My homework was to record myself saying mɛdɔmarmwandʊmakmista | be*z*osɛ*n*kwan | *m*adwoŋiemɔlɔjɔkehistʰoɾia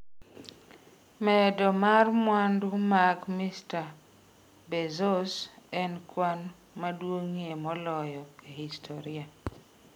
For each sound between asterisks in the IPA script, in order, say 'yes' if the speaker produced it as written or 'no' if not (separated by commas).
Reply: yes, yes, yes